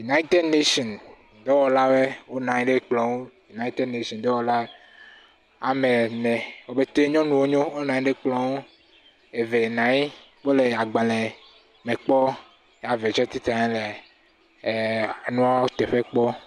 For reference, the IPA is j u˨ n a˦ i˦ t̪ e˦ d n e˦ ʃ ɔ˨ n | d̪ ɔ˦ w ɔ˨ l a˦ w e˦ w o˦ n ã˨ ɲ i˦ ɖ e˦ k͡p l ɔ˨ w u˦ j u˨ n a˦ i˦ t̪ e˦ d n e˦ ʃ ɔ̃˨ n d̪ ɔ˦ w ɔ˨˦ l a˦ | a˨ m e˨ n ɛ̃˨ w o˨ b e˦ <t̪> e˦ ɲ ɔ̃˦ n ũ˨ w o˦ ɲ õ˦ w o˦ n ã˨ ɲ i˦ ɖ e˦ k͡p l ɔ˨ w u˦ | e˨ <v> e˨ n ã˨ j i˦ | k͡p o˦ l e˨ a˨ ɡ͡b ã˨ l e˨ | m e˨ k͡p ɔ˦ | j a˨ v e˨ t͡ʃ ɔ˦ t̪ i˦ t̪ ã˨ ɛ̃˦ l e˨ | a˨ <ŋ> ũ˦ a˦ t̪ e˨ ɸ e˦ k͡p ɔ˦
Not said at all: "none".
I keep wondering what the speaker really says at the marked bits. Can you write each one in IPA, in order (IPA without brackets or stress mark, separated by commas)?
t̪, v, n